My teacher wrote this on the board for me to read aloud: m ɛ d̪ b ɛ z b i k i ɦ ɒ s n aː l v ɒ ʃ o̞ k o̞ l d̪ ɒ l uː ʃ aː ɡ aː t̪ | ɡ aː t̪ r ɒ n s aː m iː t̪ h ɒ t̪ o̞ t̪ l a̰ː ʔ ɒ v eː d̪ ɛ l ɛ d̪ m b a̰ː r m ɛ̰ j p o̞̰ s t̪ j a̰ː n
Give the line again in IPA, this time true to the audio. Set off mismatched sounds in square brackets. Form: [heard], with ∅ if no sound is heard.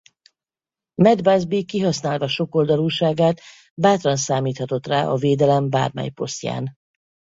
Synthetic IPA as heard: m ɛ d̪ b [a] z b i k i ɦ ɒ s n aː l v ɒ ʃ o̞ k o̞ l d̪ ɒ l uː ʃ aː ɡ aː t̪ | [b] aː t̪ r ɒ n s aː m iː t̪ h ɒ t̪ o̞ t̪ [r] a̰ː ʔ ɒ v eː d̪ ɛ l ɛ [∅] m b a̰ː r m ɛ̰ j p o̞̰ s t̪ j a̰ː n